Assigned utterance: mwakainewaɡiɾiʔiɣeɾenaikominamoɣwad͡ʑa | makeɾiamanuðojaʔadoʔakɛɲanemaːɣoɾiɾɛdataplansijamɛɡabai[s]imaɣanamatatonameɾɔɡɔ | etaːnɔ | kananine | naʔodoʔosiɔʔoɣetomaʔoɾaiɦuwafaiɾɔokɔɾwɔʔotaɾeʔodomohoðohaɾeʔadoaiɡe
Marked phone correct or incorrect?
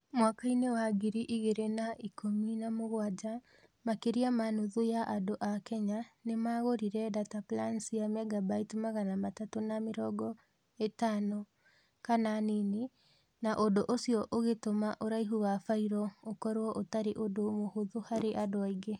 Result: incorrect